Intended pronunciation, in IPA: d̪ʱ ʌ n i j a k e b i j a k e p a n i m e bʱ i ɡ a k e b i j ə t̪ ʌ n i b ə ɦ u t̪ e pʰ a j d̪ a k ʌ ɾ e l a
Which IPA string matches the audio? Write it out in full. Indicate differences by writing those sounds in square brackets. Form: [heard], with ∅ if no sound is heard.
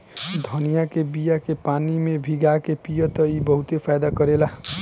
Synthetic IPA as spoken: d̪ʱ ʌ n i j a k e b i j a k e p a n i m e bʱ i ɡ a k e [p] i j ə t̪ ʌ [∅] i b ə ɦ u t̪ e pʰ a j d̪ a k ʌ ɾ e l a